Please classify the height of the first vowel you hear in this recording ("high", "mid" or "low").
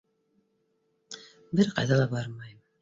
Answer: mid